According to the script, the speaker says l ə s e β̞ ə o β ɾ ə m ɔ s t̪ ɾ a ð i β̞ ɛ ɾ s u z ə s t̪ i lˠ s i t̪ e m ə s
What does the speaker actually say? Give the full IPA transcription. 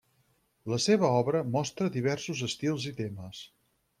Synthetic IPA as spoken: l ə s e β̞ ə ɔ β ɾ ə m ɔ s t̪ ɾ ə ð i β̞ ɛ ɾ s u z ə s t̪ i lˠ z i t̪ e m ə s